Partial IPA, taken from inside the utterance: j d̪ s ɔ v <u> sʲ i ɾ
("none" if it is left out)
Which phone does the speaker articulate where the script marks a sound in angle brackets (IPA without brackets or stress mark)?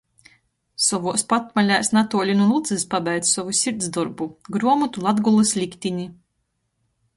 u